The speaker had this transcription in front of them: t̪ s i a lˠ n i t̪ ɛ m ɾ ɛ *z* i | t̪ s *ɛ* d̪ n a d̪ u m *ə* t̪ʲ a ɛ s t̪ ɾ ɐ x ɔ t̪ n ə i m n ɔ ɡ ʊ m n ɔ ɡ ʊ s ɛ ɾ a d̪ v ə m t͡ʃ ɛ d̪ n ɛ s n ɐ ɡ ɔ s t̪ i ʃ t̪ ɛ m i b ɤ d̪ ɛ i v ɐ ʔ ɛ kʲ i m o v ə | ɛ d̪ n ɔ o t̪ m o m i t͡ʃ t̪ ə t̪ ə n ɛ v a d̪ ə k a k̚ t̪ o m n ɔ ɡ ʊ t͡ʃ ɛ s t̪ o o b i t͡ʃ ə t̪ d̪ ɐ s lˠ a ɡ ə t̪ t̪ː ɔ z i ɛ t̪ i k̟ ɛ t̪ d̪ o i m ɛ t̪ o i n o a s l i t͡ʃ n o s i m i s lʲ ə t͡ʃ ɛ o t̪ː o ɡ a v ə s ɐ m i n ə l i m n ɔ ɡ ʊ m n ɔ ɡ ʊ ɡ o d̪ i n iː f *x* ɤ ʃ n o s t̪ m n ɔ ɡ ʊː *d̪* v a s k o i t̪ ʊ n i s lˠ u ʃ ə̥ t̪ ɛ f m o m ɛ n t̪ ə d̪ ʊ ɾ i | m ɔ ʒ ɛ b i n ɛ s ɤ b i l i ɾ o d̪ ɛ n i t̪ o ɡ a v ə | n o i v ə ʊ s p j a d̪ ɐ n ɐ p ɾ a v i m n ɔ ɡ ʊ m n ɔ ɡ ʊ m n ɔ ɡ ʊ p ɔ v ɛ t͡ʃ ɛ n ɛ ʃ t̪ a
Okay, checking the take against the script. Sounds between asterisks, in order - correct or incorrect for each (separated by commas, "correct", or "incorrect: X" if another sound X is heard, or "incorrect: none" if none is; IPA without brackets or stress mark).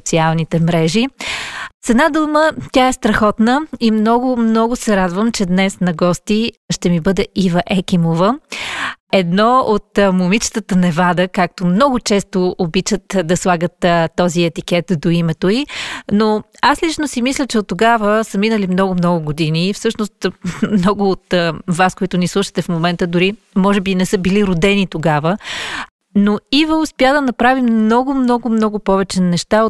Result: incorrect: ʒ, correct, correct, incorrect: s, incorrect: t̪